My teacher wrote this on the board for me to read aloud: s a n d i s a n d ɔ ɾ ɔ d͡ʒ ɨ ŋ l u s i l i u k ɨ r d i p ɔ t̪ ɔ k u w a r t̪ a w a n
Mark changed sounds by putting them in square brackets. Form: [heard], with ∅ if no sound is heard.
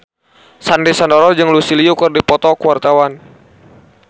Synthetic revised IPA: s a n d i s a n d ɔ ɾ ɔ d͡ʒ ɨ ŋ l u s i l i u k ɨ r d i p ɔ t̪ ɔ k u w a r t̪ a w a n